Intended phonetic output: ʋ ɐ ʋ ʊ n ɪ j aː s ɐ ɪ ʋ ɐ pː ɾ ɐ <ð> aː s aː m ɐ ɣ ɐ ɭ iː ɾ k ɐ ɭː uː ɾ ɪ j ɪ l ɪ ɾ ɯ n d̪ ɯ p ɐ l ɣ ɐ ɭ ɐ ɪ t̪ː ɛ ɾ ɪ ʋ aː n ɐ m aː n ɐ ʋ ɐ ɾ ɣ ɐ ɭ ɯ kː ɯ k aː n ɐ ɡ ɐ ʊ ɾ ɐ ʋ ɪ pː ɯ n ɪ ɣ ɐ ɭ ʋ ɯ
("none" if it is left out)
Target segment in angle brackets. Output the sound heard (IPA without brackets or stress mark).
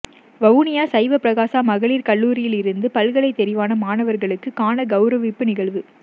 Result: ɣ